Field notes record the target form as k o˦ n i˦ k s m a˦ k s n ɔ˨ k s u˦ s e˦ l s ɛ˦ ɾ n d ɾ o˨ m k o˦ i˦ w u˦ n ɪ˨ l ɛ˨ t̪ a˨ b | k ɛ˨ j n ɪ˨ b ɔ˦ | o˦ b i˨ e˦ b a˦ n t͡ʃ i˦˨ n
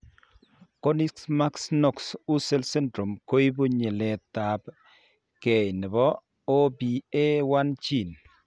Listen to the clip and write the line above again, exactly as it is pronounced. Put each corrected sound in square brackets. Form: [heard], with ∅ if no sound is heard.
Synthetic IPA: k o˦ n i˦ k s m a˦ k s n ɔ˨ k s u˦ s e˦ l s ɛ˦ [∅] n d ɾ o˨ m k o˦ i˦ [b] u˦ [ɲ] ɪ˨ l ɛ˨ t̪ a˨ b | k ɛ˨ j n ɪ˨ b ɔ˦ | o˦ b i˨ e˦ [w] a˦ n t͡ʃ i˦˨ n